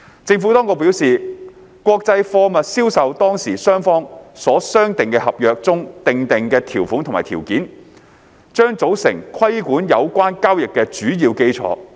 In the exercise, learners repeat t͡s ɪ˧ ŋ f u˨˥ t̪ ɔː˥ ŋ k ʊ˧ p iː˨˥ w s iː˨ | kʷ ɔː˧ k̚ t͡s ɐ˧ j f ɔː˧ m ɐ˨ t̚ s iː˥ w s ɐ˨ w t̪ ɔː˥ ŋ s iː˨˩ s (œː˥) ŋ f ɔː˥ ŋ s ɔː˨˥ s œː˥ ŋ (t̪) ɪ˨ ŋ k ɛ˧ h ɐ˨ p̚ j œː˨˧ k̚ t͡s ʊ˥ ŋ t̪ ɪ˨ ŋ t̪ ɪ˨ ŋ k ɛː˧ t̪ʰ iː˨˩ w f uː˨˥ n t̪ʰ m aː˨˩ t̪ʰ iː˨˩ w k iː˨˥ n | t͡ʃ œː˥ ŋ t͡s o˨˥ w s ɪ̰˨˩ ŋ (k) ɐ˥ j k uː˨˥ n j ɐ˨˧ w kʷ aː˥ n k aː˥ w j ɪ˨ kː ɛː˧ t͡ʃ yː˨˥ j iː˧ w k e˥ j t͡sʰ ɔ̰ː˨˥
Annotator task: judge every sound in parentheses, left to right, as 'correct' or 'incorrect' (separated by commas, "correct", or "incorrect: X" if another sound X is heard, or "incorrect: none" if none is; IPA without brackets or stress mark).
correct, correct, incorrect: kʰ